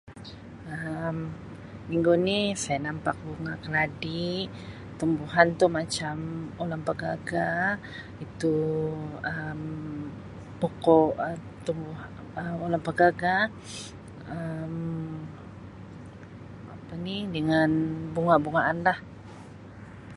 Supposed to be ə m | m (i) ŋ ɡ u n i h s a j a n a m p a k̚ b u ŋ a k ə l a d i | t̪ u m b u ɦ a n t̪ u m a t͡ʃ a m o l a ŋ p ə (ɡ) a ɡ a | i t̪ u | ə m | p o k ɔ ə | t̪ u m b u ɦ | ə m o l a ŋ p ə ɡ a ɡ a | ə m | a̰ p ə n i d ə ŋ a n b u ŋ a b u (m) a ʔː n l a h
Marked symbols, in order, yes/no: yes, yes, no

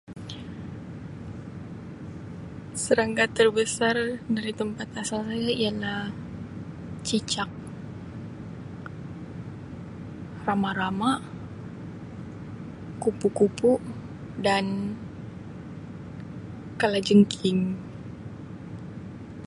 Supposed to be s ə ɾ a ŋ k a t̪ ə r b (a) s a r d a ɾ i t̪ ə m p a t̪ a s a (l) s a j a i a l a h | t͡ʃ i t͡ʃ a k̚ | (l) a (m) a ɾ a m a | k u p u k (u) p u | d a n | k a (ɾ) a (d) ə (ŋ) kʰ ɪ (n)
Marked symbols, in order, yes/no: no, yes, no, yes, yes, no, no, yes, no

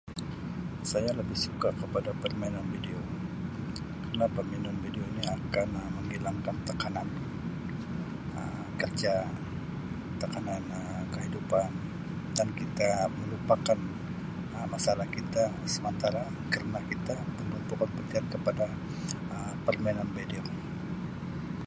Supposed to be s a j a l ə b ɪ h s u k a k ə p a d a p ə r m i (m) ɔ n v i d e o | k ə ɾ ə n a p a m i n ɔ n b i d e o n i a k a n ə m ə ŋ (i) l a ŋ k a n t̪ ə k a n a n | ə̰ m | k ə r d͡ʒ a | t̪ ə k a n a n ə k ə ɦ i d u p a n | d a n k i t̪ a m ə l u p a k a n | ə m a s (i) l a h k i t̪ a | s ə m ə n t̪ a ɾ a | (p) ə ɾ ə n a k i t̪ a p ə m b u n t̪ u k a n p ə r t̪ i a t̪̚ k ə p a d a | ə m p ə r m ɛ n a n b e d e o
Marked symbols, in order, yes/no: no, yes, no, no

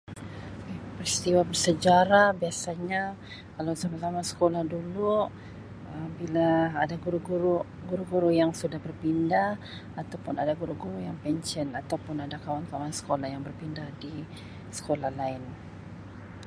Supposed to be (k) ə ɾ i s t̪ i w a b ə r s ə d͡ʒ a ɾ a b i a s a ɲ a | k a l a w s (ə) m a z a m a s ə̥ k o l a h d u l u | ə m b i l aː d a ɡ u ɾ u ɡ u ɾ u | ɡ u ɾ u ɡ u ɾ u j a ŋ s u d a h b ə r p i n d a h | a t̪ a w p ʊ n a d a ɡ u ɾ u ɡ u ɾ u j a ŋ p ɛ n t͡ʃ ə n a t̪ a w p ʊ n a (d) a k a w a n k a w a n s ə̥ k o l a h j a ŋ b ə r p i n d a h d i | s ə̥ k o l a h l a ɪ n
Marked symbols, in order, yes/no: no, no, yes

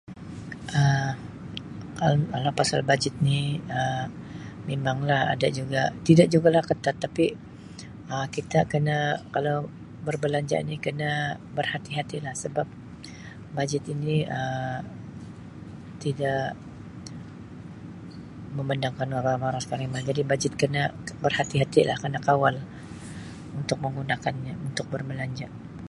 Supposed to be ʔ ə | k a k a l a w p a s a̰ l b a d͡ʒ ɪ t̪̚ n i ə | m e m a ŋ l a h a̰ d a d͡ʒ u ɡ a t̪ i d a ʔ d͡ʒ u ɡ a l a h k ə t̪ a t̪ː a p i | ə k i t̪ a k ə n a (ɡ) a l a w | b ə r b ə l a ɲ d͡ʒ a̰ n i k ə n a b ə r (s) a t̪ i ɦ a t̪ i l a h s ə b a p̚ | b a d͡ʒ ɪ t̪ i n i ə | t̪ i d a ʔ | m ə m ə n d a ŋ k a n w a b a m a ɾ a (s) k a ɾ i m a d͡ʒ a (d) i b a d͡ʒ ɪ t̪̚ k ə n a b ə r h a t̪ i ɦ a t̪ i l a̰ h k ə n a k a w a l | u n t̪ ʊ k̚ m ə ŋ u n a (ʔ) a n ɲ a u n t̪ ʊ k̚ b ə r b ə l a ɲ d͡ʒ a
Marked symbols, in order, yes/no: no, no, yes, yes, no

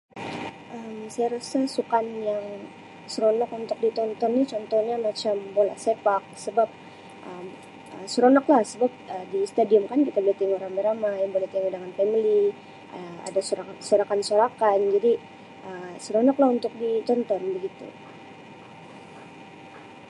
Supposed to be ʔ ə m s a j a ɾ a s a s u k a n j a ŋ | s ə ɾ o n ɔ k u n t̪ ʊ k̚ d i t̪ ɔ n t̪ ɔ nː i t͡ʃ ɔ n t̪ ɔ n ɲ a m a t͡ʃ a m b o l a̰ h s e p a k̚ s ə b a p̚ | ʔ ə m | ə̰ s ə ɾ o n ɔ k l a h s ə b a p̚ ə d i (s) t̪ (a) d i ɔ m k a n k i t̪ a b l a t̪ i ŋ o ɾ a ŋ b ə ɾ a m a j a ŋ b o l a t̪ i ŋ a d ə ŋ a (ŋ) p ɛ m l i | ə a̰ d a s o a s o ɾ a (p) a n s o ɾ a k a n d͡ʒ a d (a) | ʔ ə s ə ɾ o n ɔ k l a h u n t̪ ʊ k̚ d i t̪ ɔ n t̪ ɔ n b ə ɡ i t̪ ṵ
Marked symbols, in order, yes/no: yes, yes, no, no, no

